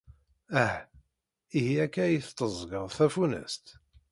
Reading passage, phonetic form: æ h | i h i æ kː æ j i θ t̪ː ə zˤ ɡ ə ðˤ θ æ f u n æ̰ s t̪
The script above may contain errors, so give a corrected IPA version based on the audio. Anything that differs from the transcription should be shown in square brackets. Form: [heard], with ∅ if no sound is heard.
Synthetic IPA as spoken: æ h | i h i æ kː æ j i θ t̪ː ə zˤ ɡ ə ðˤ θ æ f u n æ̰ s t̪